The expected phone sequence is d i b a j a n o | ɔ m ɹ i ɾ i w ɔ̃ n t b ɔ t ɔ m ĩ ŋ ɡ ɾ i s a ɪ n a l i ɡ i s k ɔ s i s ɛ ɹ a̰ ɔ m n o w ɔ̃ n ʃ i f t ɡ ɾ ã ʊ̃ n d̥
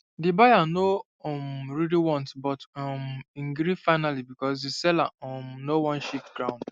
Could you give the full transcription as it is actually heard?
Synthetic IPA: d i b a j a n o | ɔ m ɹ i l i w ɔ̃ n t b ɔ t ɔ m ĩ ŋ ɡ ɾ i f a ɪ n a l i b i k ɔ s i s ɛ l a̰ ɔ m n o w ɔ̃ n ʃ i f t ɡ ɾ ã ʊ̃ n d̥